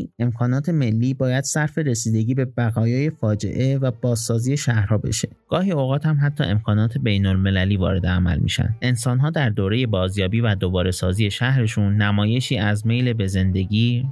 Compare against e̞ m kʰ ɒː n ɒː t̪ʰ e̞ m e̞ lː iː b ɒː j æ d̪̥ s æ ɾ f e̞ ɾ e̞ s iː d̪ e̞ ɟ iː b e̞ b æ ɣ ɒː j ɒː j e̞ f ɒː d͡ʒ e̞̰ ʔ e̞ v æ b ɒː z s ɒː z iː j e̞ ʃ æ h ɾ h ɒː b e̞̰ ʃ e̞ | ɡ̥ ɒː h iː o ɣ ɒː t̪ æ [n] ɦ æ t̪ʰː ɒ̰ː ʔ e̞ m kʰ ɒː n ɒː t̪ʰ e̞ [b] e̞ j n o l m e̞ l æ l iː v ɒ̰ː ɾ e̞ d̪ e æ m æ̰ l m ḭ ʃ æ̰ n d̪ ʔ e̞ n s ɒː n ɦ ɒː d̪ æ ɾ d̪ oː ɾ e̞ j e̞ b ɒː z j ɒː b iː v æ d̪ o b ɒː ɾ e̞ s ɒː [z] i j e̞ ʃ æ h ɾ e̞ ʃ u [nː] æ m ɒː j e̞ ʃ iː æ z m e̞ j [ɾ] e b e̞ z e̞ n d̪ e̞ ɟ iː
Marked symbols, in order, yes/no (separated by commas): no, yes, yes, yes, no